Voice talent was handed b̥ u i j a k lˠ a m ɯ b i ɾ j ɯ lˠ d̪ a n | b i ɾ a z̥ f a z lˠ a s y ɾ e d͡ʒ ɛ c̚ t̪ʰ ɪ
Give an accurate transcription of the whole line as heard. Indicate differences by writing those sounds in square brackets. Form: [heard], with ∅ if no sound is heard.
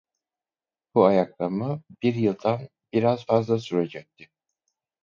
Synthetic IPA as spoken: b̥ u [a] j a k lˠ a m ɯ b i ɾ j ɯ lˠ d̪ a n | b i ɾ a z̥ f a z lˠ a s y ɾ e d͡ʒ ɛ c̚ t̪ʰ ɪ